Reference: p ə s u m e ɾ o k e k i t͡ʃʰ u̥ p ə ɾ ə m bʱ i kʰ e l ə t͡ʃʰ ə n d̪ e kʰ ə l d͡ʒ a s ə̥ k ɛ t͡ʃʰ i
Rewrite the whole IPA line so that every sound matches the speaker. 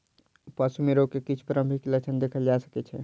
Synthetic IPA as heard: p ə s u m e ɾ o k e k i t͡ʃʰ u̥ p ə ɾ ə m bʱ i k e l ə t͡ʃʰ ə n d̪ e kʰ ə l d͡ʒ a s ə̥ k ɛ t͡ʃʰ ɛ